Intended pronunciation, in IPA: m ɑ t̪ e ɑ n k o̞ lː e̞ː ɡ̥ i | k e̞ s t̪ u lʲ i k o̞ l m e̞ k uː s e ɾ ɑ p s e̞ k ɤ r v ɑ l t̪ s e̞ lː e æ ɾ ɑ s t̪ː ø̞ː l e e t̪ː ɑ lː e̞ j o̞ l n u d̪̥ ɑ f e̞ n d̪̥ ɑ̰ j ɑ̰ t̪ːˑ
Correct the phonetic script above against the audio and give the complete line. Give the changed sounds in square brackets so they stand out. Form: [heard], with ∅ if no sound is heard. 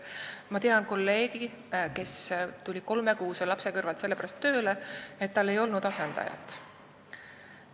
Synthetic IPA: m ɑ t̪ e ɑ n k o̞ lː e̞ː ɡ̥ i | k e̞ s t̪ u lʲ i k o̞ l m e̞ k uː s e [l] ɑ p s e̞ k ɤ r v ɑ l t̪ s e̞ lː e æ ɾ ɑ s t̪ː ø̞ː l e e t̪ː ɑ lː e̞ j o̞ l n u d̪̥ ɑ [s] e̞ n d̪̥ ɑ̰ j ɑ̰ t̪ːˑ